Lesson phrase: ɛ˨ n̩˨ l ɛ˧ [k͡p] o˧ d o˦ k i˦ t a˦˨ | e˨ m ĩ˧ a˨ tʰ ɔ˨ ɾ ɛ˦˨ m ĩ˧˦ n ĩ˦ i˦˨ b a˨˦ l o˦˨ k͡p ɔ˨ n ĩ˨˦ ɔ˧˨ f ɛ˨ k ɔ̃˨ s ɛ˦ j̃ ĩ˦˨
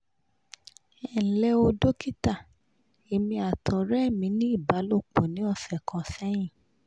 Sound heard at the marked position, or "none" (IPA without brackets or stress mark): none